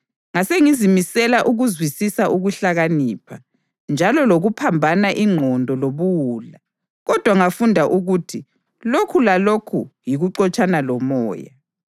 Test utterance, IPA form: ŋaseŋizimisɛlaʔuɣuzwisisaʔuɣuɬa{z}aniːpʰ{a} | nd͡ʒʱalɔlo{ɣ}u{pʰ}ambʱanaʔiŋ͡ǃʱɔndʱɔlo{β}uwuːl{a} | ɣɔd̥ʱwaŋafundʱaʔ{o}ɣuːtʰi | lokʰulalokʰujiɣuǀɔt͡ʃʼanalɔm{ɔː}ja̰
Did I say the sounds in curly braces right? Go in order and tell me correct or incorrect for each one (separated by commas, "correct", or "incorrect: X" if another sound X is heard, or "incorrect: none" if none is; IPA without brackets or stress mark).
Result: incorrect: ɣ, correct, correct, correct, correct, correct, incorrect: u, correct